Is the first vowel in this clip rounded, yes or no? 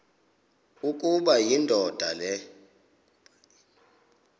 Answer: yes